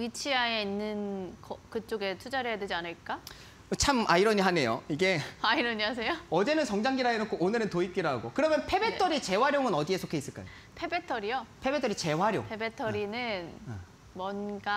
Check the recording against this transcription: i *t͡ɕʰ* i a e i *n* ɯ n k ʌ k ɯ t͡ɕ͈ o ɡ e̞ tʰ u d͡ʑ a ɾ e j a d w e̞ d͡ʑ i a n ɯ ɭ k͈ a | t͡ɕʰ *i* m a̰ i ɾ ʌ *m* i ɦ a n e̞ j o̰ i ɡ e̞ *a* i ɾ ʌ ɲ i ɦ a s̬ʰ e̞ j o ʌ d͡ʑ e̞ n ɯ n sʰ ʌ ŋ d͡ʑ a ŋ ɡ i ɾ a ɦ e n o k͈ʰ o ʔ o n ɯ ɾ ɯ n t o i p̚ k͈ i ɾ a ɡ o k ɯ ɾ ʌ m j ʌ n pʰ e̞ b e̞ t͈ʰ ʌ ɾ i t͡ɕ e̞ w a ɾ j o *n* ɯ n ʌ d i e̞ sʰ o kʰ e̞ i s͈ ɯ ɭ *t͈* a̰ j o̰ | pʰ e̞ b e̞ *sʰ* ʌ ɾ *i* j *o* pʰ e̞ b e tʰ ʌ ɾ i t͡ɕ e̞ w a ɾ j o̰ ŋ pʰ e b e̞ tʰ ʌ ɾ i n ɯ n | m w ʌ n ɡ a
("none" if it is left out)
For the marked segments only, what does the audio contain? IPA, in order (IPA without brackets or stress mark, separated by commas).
t͡ɕʰ, nː, a, ɲ, a, ŋ, k͈, tʰ, i, o